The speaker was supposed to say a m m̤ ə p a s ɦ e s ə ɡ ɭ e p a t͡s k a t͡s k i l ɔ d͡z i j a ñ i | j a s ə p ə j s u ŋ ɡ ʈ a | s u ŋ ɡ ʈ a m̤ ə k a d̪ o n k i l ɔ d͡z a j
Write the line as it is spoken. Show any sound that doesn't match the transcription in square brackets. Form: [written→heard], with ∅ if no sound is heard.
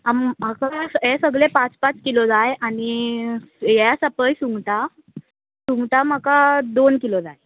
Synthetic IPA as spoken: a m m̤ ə [p→k] a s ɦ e s ə ɡ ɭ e p a t͡s [k→p] a t͡s k i l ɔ d͡z [i→a] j a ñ i | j a s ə p ə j s u ŋ ɡ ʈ a | s u ŋ ɡ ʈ a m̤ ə k a d̪ o n k i l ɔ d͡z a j